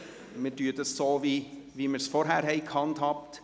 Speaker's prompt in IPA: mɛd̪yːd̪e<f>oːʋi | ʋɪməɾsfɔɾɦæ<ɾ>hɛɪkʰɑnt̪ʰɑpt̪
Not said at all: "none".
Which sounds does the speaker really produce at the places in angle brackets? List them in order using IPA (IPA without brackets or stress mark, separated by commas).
s, ɾ